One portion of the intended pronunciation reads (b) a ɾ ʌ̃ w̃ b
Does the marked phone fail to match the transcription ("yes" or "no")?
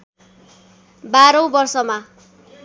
no